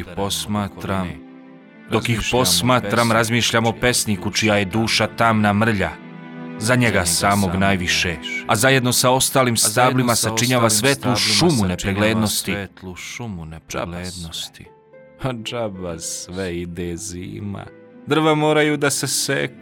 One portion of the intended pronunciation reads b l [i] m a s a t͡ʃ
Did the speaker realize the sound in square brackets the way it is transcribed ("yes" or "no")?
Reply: yes